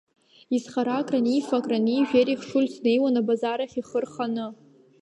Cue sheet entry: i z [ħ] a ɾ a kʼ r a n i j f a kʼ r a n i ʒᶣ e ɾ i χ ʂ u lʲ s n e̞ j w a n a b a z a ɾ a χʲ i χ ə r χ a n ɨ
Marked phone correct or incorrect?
incorrect